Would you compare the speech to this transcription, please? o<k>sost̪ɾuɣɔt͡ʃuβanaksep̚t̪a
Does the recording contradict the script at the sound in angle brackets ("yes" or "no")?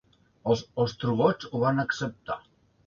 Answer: yes